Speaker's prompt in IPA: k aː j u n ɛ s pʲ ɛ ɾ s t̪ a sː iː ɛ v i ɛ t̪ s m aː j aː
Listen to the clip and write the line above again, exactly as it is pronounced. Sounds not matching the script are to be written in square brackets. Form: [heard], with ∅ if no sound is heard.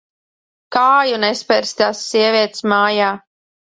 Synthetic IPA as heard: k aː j u n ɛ s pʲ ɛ ɾ s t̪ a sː [i] ɛ v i ɛ t̪ s m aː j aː